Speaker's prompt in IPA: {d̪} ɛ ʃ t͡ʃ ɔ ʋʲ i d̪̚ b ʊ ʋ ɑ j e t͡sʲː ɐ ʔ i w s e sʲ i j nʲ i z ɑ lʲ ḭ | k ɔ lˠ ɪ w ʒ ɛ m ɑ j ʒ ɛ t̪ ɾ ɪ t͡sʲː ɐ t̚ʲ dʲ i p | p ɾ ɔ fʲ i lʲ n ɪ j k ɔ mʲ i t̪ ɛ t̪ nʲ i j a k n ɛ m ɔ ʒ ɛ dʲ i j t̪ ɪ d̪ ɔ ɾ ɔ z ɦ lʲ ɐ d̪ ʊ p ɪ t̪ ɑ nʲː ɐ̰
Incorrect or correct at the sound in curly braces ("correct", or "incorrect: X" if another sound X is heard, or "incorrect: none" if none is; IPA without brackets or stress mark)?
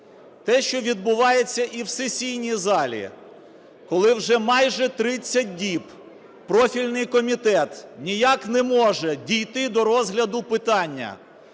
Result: incorrect: t̪